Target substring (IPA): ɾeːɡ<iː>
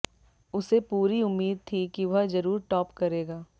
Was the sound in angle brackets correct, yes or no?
no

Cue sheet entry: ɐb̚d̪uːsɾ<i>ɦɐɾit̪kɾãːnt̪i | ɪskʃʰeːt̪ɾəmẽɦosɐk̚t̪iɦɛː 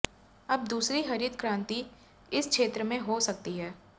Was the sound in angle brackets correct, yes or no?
yes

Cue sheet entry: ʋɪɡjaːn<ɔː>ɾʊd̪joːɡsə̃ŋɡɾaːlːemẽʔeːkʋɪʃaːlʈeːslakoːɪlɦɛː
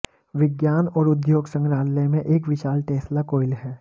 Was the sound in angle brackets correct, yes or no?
yes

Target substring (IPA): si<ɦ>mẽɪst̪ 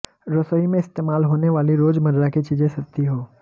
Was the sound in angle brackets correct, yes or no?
no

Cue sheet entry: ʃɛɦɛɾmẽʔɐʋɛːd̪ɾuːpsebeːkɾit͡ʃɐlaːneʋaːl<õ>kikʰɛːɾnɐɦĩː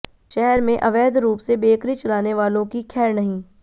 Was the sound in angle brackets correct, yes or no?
yes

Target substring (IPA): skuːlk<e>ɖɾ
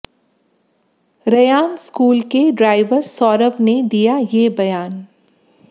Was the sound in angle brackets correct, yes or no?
yes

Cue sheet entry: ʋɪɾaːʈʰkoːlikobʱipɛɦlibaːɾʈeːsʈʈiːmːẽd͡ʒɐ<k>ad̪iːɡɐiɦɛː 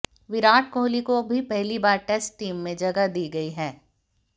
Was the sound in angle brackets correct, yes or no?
no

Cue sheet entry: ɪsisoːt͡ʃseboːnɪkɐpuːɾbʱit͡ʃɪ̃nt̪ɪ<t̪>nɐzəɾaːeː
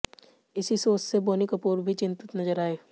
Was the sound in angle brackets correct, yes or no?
yes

